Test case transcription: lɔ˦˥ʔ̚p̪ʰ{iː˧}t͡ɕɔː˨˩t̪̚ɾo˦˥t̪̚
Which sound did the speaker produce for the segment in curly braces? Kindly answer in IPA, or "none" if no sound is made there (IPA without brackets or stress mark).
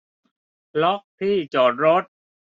iː˥˩